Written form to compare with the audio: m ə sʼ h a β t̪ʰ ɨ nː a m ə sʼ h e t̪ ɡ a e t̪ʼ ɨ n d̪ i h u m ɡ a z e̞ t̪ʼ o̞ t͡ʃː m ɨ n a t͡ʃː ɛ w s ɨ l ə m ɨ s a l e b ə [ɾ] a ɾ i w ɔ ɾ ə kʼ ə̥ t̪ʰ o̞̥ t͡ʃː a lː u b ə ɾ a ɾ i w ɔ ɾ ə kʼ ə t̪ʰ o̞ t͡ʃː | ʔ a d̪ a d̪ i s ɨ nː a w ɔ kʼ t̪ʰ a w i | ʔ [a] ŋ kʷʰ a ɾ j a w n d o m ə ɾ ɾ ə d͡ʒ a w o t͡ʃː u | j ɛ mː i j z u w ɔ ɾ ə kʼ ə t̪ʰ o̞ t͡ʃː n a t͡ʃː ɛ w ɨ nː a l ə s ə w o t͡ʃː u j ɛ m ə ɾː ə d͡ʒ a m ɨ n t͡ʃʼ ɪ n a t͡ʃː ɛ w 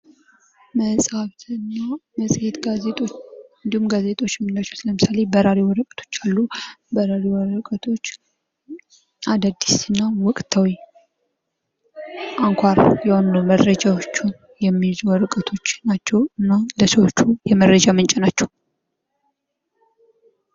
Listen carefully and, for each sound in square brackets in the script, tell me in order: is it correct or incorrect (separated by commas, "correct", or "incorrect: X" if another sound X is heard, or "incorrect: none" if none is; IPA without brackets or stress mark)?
correct, correct